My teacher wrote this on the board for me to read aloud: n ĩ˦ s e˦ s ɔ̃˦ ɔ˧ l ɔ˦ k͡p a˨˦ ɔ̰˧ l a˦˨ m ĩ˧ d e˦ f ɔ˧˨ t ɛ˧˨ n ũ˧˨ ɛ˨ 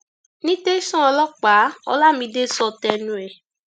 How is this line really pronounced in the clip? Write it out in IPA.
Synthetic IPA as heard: n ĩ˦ t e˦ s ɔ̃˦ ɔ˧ l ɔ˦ k͡p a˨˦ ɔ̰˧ l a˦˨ m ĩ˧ d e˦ s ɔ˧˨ t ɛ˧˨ n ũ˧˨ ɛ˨